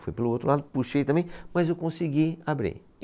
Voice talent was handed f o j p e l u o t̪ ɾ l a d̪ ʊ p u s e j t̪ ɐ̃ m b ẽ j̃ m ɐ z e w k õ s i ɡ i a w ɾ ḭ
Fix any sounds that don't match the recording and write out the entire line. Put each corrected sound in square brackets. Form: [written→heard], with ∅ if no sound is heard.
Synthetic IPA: f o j p e l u o t̪ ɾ l a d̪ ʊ p u [s→ʃ] e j t̪ ɐ̃ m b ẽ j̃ m ɐ z e w k õ s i ɡ i a [w→b] ɾ ḭ

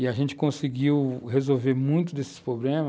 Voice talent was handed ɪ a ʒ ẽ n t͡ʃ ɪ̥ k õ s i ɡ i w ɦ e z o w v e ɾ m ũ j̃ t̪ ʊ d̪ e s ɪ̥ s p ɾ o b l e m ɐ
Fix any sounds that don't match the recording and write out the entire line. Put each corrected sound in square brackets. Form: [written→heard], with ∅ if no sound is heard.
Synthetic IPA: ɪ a ʒ ẽ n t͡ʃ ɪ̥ k õ s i ɡ i w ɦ e z o w v e ɾ m ũ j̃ t̪ ʊ d̪ e s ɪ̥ s p ɾ o b l [e→ẽ] m ɐ

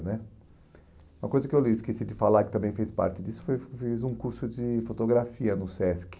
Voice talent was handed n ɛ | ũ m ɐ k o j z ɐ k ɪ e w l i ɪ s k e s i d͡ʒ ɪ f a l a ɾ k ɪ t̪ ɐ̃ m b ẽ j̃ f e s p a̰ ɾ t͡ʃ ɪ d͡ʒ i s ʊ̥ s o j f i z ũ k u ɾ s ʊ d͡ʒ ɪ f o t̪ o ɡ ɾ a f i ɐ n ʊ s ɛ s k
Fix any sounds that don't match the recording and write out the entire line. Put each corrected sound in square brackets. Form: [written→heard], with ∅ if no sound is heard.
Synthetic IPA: n ɛ | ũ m ɐ k o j z ɐ k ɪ e w l i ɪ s k e s i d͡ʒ ɪ f a l a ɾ k ɪ t̪ ɐ̃ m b ẽ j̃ f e s p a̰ ɾ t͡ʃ ɪ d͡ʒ i s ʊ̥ [s→f] o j f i z ũ k u ɾ s ʊ d͡ʒ ɪ f o t̪ o ɡ ɾ a f i ɐ n ʊ s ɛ s k

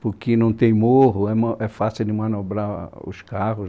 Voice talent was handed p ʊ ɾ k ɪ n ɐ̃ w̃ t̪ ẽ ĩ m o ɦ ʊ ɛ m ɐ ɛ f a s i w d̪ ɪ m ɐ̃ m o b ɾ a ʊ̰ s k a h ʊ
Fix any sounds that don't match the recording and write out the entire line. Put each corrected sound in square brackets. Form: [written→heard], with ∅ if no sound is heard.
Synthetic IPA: p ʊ ɾ k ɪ n ɐ̃ w̃ t̪ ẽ [ĩ→j̃] m o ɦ ʊ ɛ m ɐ ɛ f a s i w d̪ ɪ m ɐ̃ [m→n] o b ɾ a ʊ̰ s k a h ʊ

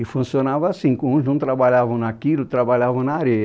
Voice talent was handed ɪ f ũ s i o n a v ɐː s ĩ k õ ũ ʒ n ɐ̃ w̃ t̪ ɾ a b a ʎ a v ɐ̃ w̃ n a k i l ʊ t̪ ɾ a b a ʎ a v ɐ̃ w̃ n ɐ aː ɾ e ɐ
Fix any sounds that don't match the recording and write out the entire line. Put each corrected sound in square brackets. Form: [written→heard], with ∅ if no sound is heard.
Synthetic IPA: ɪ f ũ s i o n a v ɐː s ĩ k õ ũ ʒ n ɐ̃ w̃ t̪ ɾ a b a ʎ a v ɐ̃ w̃ n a k i l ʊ t̪ ɾ a b a ʎ a v ɐ̃ w̃ n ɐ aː ɾ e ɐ

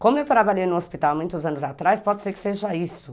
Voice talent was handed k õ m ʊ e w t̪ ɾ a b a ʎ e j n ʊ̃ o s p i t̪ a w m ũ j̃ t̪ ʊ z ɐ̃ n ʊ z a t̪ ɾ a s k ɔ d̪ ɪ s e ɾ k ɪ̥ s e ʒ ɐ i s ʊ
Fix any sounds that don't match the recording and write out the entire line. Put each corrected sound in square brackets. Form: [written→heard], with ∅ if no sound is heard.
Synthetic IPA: k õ m ʊ e w t̪ ɾ a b a ʎ e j n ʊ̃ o s p i t̪ a w m ũ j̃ t̪ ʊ z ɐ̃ n ʊ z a t̪ ɾ a s [k→p] ɔ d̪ ɪ s e ɾ k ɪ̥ s e ʒ ɐ i s ʊ

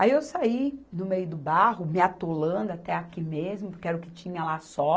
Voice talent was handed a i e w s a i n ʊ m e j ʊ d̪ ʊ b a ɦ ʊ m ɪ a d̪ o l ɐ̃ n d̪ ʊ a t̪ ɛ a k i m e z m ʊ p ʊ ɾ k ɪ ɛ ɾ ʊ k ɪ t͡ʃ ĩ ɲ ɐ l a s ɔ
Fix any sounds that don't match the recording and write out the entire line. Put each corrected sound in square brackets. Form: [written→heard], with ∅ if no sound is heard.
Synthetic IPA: a i e w s a i n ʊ m e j ʊ d̪ ʊ b a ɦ ʊ m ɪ a [d̪→t̪] o l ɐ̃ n d̪ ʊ a t̪ ɛ a k i m e z m ʊ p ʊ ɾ k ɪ ɛ ɾ ʊ k ɪ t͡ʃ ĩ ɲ ɐ l a s ɔ

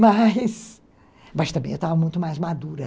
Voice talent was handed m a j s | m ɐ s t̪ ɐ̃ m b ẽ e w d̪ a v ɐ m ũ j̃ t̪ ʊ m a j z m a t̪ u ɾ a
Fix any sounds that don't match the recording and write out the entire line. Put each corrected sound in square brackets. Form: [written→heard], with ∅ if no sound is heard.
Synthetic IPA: m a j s | m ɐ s t̪ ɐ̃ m b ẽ e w [d̪→t̪] a v ɐ m ũ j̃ t̪ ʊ m a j z m a [t̪→d̪] u ɾ [a→ɐ]

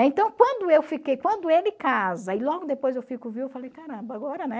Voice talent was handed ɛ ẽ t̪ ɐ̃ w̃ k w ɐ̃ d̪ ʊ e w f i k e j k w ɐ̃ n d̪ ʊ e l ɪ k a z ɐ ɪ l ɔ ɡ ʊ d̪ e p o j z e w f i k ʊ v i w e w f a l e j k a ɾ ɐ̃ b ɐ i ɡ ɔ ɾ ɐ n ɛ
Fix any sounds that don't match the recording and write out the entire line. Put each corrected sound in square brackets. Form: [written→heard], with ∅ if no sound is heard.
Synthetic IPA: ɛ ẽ t̪ ɐ̃ w̃ k w ɐ̃ d̪ ʊ e w f i k e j k w ɐ̃ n d̪ ʊ e l ɪ k a z ɐ ɪ l ɔ ɡ ʊ d̪ e p o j z e w f i k ʊ v i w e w f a l e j k a ɾ ɐ̃ b ɐ [i→a] ɡ ɔ ɾ ɐ n ɛ

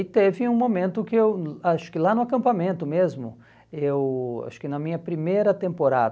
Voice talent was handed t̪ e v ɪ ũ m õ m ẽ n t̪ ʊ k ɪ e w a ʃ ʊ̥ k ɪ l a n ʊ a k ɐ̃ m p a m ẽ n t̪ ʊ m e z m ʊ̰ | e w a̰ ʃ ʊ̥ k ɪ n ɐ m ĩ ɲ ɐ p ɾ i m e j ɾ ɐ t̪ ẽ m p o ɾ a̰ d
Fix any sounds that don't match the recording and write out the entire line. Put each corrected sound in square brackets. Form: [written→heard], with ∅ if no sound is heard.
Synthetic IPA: t̪ e v ɪ ũ m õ m ẽ n t̪ ʊ k ɪ e w a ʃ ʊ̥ k ɪ l a n ʊ a k ɐ̃ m p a m ẽ n t̪ ʊ m e z m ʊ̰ | e w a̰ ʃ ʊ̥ k ɪ n ɐ m ĩ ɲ ɐ p ɾ i m e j ɾ ɐ t̪ ẽ m p o ɾ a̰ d

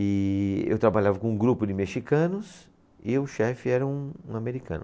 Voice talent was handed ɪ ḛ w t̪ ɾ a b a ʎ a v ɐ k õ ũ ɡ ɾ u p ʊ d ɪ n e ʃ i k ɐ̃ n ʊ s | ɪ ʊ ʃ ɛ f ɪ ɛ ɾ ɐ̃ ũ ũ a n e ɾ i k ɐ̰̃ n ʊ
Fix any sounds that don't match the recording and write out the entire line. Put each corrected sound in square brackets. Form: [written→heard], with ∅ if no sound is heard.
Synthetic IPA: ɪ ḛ w t̪ ɾ a b a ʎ a v ɐ k õ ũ ɡ ɾ u p ʊ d ɪ [n→m] e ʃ i k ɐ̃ n ʊ s | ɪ ʊ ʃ ɛ f ɪ ɛ ɾ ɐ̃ ũ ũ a [n→m] e ɾ i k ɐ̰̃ n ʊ

